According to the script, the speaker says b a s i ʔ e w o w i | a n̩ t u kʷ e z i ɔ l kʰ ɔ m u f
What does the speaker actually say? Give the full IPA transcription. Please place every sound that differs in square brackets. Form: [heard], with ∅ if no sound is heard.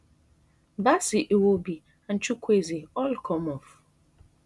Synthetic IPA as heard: b a s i ʔ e w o [b] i | a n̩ [t͡ʃ] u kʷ e z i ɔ l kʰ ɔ m [ɔ] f

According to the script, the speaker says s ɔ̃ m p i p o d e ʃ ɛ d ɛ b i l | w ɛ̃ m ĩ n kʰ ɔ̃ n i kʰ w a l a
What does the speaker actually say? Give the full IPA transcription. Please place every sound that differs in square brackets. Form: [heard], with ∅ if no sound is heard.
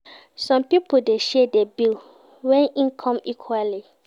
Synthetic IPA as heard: s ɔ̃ m p i p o d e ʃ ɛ d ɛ b i l | w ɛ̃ [n] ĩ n kʰ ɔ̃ [m] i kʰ w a l [i]

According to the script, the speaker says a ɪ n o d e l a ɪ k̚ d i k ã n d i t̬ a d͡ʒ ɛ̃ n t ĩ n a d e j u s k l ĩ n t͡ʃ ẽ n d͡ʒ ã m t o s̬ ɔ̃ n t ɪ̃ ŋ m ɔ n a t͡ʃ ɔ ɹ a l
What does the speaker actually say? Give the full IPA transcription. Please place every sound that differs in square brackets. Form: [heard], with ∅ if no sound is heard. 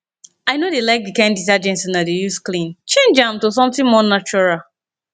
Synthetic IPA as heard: a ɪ n o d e l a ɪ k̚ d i k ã n d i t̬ a d͡ʒ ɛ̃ n [s] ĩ n a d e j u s k l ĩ n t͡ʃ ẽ n d͡ʒ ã m t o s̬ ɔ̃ [m] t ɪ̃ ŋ m ɔ n a t͡ʃ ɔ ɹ a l

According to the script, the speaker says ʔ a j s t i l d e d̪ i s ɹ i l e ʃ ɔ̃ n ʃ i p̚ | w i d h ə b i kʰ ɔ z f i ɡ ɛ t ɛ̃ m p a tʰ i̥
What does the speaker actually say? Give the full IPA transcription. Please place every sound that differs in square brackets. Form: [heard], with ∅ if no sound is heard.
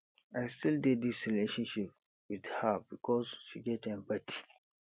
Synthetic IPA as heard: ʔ a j s t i l d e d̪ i s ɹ i l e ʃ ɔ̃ n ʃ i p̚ | w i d h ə b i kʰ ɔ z [ʃ] i ɡ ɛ t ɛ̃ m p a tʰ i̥

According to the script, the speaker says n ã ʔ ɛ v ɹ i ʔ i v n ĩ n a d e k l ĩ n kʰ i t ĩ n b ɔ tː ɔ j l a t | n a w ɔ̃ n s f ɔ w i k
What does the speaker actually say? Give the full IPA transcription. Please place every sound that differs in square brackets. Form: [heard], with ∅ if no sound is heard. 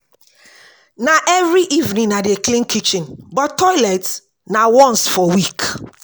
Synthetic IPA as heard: n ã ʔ ɛ v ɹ i ʔ i v n ĩ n a d e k l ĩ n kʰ i [t͡ʃ] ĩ n b ɔ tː ɔ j l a t | n a w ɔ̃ n s f ɔ w i k

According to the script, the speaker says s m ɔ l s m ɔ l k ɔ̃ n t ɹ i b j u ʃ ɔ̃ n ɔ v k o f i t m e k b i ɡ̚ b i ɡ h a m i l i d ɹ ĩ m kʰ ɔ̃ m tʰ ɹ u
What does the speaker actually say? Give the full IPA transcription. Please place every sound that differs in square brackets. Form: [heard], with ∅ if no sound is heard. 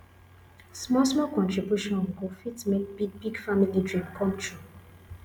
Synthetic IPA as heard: s m ɔ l s m ɔ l k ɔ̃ n t ɹ i b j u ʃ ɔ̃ n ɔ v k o f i t m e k b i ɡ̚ b i ɡ [f] a m i l i d ɹ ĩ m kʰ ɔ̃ m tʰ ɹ u

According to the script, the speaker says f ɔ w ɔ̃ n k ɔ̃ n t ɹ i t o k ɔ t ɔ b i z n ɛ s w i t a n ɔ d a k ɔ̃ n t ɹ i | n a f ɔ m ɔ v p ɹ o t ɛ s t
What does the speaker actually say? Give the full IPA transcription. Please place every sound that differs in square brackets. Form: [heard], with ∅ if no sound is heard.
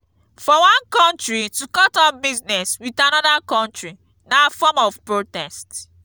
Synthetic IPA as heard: f ɔ w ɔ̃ n k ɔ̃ n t ɹ i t [u] k ɔ t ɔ b i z n ɛ s w i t a n ɔ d a k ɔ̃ n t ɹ i | n a f ɔ m ɔ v p ɹ o t ɛ s t

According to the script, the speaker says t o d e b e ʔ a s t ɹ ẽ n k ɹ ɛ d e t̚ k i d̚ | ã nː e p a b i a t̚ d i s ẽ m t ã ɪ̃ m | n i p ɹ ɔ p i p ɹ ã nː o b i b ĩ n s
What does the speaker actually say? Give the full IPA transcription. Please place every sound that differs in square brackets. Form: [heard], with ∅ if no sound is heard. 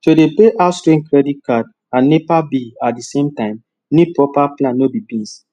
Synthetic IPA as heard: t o d e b e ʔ a s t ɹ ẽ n k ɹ ɛ d [i] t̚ k [a] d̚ | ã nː e p a b i a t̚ d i s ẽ m t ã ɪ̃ m | n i p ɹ ɔ p [a] p [l] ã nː o b i b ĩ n s

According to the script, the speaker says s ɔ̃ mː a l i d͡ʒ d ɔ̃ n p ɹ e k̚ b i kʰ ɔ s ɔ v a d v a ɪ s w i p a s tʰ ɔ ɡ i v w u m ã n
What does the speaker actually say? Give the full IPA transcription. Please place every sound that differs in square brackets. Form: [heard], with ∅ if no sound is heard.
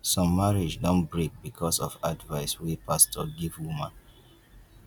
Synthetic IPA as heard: s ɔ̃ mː a [ɹ] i d͡ʒ d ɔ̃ n [b] ɹ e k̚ b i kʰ ɔ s ɔ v a d v a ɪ s w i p a s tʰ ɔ ɡ i v w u m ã n

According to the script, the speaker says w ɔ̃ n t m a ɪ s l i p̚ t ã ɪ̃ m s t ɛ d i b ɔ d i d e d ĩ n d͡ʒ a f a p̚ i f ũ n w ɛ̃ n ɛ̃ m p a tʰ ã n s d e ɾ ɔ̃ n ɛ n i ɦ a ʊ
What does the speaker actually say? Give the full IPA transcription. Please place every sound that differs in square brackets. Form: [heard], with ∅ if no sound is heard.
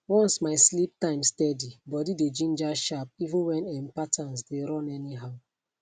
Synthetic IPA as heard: w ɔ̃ n [s] m a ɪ s l i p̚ t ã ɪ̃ m s t ɛ d i b ɔ d i d e [d͡ʒ] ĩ n d͡ʒ a [ʃ] a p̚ i [v] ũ n w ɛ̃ n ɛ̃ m p a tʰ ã n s d e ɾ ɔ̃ n ɛ n i ɦ a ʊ

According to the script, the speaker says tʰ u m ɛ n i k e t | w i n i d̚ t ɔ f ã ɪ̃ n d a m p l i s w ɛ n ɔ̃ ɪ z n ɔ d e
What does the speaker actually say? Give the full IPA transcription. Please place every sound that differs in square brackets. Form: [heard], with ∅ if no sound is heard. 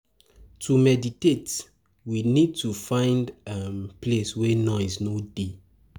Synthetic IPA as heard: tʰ u m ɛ [d] i [t] e t | w i n i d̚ t [u] f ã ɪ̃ n d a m p l [e] s w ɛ n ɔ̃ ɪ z n [o] d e

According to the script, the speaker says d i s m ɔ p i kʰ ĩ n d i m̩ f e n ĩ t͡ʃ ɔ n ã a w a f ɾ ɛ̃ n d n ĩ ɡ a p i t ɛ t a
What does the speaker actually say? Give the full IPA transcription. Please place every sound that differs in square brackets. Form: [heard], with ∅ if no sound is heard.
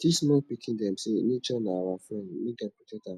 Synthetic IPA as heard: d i s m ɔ p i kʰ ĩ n d [ɛ] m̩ [s] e n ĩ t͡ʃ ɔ n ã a w a f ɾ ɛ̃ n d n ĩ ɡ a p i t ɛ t a

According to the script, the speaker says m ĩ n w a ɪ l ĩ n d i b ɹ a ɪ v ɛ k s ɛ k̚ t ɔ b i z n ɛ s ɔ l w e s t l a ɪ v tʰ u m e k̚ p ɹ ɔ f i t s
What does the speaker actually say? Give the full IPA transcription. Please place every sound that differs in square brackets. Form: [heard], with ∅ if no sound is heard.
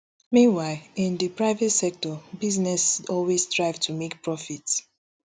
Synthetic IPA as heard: m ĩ n w a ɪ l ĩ n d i [p] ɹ a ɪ v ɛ [t] s ɛ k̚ t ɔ b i z n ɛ s ɔ l w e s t [ɹ] a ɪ v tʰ u m e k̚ p ɹ ɔ f i t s

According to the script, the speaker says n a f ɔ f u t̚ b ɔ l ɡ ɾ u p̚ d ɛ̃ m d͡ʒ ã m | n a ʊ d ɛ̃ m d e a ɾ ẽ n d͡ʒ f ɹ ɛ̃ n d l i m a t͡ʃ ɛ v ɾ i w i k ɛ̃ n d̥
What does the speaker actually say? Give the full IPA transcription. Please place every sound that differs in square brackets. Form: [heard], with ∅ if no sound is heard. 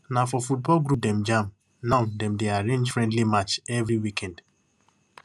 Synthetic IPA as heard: n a f ɔ f u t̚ b ɔ l ɡ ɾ u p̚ d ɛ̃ m d͡ʒ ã m | n a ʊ d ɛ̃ m d e a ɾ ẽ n d͡ʒ f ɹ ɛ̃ n d l i m a t͡ʃ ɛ v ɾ i w i k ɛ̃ n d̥

